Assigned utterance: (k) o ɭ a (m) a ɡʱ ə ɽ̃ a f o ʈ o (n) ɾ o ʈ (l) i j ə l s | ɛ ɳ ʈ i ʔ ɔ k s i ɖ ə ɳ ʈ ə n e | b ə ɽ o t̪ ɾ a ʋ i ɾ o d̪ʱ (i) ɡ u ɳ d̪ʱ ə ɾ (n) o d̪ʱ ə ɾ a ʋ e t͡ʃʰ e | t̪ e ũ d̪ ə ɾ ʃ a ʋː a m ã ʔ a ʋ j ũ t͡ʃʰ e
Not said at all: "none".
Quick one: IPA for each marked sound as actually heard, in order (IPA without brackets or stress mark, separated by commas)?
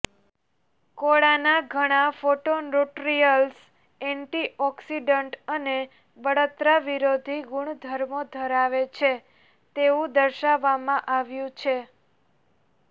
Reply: k, n, n, ɾ, i, m